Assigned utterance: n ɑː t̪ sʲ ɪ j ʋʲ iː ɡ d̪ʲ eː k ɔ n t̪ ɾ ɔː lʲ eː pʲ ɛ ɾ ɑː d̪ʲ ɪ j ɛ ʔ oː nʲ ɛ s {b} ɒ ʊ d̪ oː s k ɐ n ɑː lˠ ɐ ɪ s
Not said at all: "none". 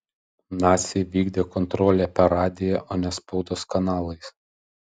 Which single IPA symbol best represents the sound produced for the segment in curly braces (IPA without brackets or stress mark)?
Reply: p